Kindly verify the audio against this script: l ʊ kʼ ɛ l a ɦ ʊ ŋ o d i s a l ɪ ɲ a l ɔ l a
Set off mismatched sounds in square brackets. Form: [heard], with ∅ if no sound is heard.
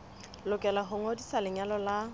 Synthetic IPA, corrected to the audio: l ʊ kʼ ɛ l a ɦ ʊ ŋ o d i s a l ɪ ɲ a l ɔ l a